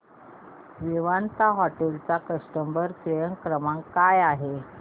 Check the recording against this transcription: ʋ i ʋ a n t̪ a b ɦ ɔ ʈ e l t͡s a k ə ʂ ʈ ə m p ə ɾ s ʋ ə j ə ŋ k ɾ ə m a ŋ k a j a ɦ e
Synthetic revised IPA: ʋ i ʋ a n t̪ a ɦ ɔ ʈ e l t͡s a k ə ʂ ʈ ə m b ə ɾ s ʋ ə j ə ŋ k ɾ ə m a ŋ k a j a ɦ e